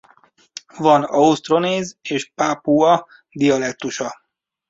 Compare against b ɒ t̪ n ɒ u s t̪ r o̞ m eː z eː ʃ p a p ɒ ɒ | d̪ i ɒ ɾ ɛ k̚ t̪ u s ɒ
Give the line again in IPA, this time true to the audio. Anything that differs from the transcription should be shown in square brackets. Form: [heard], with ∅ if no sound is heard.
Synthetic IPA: [v] ɒ [∅] n ɒ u s t̪ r o̞ [n] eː z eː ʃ p a p [u] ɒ | d̪ i ɒ [l] ɛ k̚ t̪ u [ʃ] ɒ

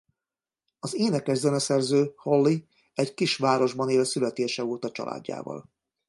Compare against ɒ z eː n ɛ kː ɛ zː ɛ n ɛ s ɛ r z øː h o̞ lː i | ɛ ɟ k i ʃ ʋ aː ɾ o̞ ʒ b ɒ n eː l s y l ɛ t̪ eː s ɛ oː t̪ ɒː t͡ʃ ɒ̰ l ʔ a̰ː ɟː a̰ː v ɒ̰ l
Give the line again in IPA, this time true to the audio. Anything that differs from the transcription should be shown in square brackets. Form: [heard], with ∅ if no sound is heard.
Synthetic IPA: ɒ z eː n ɛ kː ɛ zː ɛ n ɛ s ɛ r z øː h o̞ lː i | ɛ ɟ k i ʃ ʋ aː ɾ o̞ ʒ b ɒ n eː l s y l ɛ t̪ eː [ʃ] ɛ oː t̪ [ɒ] t͡ʃ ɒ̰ l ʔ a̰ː ɟː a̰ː v ɒ̰ l

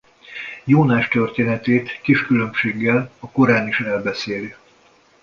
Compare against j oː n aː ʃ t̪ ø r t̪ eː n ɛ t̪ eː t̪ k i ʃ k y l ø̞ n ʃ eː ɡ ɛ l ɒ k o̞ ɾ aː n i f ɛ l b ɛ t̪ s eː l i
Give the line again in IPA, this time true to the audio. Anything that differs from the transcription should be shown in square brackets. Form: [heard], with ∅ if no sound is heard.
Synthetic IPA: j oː n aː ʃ t̪ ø r t̪ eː n ɛ t̪ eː t̪ k i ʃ k y l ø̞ [m] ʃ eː [ɡː] ɛ l ɒ k o̞ ɾ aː n i [ʃ] ɛ l b ɛ [∅] s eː l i

